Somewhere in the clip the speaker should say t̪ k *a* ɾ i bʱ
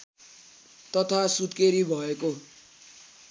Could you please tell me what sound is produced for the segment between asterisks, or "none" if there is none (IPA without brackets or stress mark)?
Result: e